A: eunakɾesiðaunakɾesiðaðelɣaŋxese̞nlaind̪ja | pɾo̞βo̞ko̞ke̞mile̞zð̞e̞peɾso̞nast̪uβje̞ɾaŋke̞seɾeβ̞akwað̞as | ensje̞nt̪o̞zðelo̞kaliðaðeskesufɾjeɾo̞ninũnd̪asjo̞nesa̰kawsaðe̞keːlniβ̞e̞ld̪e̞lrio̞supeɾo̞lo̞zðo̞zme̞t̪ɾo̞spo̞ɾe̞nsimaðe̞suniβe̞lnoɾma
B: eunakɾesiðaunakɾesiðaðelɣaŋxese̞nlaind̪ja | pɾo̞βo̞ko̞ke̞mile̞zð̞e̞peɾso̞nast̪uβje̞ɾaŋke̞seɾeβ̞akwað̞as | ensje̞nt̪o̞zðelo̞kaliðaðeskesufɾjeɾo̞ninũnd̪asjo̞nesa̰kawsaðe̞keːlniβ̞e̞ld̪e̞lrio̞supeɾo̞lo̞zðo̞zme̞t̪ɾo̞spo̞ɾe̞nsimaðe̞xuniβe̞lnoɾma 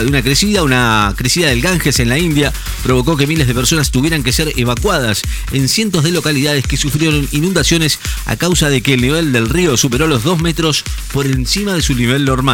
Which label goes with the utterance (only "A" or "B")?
A